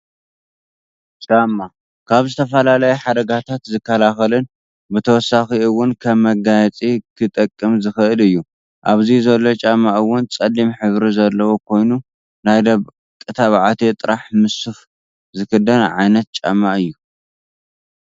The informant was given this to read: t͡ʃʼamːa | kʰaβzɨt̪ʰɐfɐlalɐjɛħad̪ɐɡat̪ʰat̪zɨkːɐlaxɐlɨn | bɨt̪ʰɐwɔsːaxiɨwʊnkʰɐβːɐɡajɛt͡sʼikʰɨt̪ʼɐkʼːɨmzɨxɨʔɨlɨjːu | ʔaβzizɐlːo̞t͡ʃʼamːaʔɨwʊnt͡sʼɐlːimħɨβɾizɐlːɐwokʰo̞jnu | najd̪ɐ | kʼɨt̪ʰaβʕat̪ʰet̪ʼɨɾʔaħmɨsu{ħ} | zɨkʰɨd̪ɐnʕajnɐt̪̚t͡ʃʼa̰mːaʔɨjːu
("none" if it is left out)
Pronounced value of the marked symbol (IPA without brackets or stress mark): f